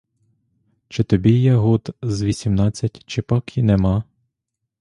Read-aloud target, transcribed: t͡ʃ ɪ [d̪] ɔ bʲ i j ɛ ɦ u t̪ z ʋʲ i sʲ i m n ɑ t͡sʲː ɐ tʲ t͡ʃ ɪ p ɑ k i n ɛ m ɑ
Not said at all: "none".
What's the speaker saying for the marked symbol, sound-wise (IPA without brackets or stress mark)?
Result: t̪